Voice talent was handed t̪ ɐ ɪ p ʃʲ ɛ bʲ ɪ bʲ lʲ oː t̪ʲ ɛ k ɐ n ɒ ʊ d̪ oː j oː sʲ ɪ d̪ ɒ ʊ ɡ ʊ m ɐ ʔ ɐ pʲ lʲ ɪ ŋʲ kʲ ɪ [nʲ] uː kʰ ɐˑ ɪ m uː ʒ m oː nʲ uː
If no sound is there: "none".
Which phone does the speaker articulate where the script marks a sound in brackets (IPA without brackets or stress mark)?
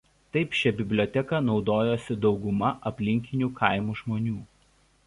nʲ